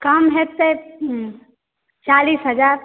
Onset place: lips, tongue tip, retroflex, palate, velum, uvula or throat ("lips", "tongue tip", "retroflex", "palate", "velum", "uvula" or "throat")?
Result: velum